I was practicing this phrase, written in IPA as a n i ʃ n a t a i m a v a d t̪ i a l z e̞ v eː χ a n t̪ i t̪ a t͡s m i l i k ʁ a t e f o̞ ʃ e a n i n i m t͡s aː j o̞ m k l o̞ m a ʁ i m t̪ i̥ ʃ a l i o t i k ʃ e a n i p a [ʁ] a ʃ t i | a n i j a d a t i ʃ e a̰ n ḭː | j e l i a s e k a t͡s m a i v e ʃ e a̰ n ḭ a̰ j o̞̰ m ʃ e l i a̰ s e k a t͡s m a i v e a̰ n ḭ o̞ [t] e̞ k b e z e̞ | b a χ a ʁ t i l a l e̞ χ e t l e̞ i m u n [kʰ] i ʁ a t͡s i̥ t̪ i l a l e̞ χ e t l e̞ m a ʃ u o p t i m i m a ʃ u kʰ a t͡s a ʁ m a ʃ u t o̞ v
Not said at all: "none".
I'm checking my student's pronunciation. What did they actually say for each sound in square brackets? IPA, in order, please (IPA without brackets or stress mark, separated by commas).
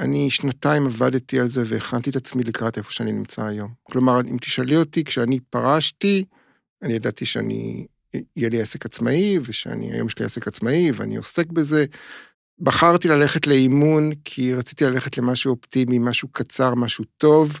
ʁ, s, kʰ